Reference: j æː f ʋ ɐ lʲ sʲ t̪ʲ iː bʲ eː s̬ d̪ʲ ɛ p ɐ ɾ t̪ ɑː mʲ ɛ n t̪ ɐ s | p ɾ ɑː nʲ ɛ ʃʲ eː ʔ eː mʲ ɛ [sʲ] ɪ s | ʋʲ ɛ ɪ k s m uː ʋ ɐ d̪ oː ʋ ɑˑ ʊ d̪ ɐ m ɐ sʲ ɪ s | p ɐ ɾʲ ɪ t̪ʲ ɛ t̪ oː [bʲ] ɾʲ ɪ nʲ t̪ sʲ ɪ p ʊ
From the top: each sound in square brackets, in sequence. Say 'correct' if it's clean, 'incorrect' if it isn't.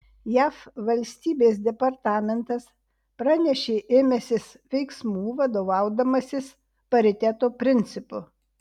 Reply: correct, incorrect

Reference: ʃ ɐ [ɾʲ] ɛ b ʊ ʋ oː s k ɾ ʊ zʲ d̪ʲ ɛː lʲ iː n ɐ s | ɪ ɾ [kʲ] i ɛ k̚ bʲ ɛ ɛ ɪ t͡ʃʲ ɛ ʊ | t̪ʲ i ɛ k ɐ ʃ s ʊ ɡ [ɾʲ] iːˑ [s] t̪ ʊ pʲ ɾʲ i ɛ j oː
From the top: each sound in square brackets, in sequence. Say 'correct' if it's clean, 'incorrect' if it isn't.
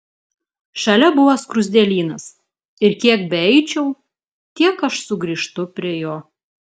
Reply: incorrect, correct, correct, incorrect

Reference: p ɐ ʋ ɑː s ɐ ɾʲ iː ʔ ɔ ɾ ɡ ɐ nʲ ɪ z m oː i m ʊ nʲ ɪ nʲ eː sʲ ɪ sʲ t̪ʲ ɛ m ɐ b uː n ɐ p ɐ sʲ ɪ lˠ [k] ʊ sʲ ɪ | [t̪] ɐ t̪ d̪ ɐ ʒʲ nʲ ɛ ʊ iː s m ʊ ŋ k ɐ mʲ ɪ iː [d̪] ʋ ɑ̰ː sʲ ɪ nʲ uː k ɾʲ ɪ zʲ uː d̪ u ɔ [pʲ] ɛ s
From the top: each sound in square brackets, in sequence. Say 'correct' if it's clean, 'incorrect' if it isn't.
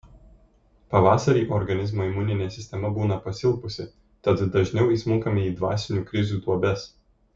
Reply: incorrect, correct, correct, incorrect

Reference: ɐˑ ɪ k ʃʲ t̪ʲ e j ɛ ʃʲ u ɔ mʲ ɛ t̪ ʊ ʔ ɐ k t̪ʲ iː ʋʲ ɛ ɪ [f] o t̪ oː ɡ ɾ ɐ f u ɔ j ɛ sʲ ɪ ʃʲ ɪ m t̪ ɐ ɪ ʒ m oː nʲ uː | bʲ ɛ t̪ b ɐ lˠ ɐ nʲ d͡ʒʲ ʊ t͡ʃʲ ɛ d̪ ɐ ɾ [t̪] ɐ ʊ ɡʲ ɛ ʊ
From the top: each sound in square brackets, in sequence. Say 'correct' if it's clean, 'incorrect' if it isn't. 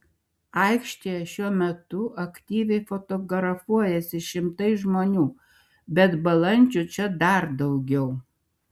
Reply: correct, incorrect

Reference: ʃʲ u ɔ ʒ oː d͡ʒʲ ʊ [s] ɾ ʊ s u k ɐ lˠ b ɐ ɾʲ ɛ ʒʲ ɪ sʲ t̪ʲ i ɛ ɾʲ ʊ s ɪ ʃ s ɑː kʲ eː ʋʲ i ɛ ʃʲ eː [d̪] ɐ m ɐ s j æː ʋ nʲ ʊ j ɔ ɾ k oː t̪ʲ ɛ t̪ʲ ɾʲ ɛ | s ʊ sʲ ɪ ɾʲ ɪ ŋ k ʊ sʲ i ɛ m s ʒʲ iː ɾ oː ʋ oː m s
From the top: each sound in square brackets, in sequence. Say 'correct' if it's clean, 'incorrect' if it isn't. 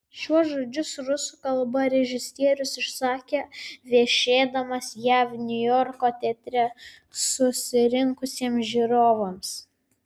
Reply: correct, correct

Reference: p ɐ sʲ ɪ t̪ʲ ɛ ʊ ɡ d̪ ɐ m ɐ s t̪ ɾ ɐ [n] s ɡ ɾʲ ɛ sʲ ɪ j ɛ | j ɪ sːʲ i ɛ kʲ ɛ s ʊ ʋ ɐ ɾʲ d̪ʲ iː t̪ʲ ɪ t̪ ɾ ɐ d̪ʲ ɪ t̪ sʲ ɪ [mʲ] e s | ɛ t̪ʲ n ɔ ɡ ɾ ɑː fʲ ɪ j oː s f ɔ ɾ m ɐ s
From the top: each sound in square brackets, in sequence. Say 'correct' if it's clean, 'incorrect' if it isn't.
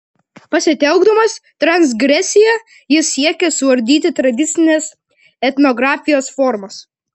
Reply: correct, incorrect

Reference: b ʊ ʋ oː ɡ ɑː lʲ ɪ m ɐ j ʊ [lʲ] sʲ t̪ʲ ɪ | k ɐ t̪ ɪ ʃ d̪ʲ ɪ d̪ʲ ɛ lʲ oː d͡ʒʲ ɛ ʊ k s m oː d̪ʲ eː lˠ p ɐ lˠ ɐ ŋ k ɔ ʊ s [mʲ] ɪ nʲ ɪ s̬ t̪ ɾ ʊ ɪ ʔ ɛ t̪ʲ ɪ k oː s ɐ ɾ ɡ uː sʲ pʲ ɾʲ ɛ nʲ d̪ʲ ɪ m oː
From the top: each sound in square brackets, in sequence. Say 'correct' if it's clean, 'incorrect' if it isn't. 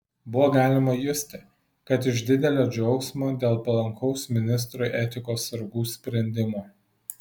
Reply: incorrect, correct

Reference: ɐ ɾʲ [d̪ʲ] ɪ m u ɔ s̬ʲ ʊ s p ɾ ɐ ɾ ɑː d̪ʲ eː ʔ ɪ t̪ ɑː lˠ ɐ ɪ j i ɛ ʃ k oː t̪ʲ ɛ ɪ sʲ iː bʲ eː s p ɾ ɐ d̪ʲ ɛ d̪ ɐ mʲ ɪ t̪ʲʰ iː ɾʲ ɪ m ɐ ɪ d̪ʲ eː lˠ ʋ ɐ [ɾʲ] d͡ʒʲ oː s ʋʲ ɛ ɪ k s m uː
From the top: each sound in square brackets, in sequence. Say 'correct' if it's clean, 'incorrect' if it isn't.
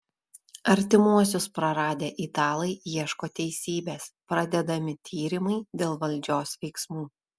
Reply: incorrect, incorrect

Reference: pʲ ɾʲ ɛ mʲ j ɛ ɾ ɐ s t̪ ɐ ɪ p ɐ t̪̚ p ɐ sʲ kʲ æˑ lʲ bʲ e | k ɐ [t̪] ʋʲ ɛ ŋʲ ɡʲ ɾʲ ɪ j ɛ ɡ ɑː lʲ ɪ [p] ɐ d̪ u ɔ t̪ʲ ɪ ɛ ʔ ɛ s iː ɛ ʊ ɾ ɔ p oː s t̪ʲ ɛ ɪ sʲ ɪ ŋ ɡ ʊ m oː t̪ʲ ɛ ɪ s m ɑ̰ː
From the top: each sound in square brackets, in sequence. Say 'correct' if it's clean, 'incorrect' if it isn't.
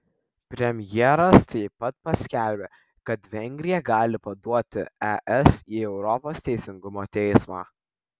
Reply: correct, correct

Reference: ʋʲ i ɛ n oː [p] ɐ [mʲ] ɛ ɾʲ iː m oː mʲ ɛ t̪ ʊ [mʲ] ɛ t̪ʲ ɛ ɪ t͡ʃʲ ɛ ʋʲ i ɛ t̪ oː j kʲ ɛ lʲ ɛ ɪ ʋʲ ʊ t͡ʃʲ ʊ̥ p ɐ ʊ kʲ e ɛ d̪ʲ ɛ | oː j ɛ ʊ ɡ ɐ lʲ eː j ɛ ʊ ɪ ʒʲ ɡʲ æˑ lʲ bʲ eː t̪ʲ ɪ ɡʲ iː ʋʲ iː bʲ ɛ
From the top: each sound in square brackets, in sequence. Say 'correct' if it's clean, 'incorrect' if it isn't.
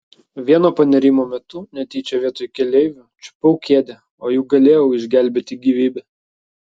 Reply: correct, incorrect, incorrect

